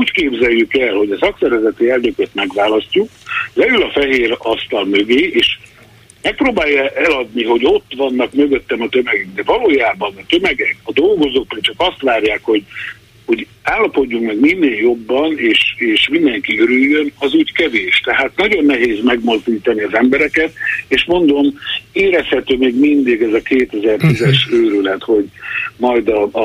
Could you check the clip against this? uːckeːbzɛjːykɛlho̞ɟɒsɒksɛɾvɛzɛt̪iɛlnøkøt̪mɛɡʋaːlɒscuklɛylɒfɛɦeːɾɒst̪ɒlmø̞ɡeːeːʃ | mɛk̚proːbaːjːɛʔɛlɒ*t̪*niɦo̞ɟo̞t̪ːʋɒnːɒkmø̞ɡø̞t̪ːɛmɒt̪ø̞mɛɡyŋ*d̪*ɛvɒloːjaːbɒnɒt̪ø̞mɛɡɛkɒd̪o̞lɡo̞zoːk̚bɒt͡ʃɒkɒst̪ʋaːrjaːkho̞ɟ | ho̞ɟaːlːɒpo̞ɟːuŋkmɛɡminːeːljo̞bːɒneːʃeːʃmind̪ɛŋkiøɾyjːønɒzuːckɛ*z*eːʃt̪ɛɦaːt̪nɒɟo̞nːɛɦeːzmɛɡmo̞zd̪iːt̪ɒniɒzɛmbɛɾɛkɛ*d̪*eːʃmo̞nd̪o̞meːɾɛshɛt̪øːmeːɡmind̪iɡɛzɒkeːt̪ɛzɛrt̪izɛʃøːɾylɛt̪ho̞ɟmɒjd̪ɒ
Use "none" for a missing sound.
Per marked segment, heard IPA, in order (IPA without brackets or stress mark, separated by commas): d̪, d̪, v, t̪